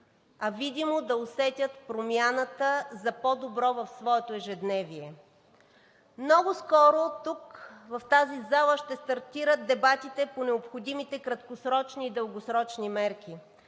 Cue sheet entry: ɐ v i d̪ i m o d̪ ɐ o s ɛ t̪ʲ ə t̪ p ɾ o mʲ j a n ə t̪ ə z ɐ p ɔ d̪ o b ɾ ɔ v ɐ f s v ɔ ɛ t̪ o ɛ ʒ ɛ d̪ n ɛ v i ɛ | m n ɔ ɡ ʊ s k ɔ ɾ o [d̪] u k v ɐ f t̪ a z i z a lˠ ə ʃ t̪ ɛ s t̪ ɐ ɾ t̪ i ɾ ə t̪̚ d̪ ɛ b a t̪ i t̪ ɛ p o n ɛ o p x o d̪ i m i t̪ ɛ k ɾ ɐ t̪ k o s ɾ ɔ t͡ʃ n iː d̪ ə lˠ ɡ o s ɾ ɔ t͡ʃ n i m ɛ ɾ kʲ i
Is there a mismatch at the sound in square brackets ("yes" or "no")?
yes